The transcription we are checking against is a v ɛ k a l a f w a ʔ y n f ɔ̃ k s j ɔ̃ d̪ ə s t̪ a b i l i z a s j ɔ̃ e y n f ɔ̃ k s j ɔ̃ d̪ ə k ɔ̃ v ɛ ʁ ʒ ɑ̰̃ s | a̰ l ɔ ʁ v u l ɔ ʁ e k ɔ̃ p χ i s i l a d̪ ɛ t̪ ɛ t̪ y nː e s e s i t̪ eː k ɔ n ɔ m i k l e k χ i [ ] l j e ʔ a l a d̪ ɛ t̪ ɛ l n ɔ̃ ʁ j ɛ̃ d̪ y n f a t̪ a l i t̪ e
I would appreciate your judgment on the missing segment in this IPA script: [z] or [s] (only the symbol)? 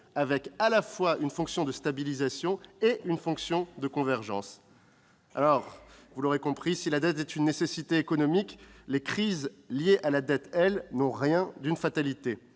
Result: z